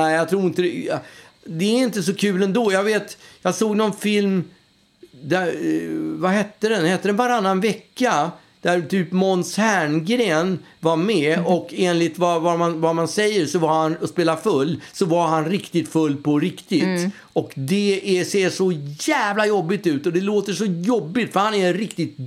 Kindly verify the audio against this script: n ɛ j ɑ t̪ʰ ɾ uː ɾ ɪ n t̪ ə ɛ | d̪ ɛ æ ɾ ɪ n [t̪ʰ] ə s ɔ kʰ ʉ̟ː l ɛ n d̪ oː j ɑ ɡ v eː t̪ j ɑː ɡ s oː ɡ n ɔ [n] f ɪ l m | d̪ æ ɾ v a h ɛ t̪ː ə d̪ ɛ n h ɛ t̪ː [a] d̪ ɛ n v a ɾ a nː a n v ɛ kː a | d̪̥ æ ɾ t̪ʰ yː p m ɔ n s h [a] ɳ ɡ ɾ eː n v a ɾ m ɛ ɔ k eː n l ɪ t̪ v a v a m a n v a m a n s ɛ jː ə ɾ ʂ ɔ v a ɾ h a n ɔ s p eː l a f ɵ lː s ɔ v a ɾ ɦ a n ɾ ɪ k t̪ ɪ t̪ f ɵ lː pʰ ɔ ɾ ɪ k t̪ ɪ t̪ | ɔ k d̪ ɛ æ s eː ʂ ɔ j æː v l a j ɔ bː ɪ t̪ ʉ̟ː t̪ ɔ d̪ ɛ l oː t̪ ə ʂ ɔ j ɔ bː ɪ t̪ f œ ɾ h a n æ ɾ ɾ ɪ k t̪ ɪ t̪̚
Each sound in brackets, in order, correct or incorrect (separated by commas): incorrect, correct, incorrect, incorrect